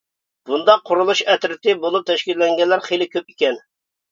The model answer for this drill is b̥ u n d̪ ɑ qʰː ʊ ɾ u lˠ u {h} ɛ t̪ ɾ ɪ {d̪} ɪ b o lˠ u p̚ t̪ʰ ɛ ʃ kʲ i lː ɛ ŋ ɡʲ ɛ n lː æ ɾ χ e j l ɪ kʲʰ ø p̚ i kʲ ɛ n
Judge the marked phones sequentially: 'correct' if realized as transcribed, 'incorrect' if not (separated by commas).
incorrect, incorrect